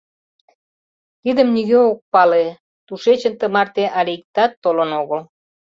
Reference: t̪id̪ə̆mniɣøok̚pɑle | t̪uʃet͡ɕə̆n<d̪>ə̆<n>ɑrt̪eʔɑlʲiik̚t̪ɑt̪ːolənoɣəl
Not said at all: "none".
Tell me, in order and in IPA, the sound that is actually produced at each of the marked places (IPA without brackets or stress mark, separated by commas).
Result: t̪, m